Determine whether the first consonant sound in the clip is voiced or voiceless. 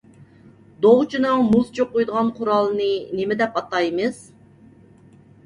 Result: voiced